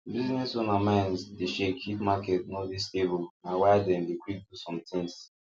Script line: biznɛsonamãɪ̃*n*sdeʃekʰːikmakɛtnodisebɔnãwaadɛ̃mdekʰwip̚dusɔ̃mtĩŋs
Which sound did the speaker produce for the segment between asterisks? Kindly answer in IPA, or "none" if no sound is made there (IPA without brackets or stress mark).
n